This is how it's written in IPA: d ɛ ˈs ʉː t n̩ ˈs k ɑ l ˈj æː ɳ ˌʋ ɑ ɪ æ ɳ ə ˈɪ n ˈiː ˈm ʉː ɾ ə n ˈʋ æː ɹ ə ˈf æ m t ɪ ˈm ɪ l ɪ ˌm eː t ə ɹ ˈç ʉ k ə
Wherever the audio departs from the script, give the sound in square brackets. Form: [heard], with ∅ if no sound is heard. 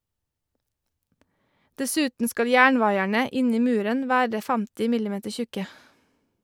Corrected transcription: d ɛ ˈs ʉː t n̩ ˈs k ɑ l ˈj æː ɳ ˌʋ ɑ ɪ æ ɳ ə ˈɪ n ˈiː ˈm ʉː ɾ ə n ˈʋ æː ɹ ə ˈf æ m t ɪ ˈm ɪ l ɪ ˌm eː t ə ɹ ˈç ʉ k ə